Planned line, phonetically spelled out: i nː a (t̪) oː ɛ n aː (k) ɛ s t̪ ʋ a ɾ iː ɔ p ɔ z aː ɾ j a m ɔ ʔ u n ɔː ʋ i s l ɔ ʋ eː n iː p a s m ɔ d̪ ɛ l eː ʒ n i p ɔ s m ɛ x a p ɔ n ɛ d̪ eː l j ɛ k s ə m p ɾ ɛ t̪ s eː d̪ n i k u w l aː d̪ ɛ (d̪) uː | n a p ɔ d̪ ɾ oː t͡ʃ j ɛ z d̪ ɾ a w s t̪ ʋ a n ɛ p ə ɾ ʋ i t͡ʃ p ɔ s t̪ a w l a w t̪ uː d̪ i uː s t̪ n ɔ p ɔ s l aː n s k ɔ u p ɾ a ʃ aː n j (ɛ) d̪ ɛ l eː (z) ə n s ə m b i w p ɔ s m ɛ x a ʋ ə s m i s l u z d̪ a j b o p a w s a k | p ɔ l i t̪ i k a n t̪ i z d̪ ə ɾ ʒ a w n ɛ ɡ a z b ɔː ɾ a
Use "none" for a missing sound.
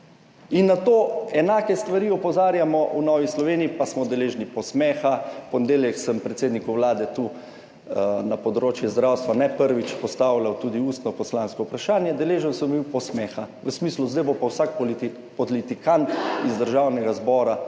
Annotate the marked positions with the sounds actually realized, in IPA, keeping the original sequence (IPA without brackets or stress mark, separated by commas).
t̪, k, t̪, ɛ, ʒ